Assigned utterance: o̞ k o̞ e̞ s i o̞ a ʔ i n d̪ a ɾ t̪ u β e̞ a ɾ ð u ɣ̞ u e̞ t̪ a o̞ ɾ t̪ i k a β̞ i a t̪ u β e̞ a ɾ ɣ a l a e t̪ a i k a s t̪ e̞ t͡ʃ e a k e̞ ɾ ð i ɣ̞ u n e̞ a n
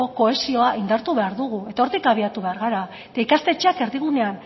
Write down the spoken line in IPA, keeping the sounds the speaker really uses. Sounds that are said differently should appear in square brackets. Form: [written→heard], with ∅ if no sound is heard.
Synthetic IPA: o̞ k o̞ e̞ s i o̞ a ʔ i n d̪ a ɾ t̪ u β e̞ a ɾ ð u ɣ̞ u e̞ t̪ a o̞ ɾ t̪ i k a β̞ i a t̪ u β e̞ a ɾ ɣ a [l→ɾ] a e t̪ a i k a s t̪ e̞ t͡ʃ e a k e̞ ɾ ð i ɣ̞ u n e̞ a n